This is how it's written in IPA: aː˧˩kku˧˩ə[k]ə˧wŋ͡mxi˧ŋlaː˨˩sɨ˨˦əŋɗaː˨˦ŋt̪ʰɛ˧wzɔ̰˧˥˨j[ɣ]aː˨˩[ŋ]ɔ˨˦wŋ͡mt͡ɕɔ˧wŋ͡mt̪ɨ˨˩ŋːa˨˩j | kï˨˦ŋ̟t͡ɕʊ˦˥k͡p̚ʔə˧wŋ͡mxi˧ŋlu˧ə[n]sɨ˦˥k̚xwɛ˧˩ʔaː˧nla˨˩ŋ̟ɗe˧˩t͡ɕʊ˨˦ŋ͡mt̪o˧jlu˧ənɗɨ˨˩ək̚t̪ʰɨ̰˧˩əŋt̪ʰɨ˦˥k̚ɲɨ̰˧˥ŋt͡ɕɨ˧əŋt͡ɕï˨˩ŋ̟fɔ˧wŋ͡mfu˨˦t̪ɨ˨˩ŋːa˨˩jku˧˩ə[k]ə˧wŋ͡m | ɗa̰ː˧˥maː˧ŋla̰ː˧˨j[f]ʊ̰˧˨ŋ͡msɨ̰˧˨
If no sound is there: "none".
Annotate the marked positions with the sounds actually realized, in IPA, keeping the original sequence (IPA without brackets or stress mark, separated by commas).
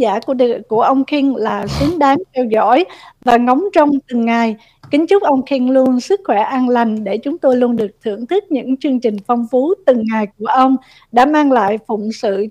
ʔ, v, ŋ, n, ʔ, f